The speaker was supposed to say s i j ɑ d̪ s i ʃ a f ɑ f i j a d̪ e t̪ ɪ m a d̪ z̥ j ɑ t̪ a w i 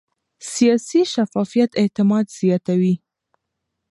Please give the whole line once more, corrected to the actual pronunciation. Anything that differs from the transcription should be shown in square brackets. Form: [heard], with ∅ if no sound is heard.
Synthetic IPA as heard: s i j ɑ [∅] s i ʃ a f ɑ f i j a [t̪] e t̪ ɪ m [ɑ] d̪ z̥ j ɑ t̪ a w i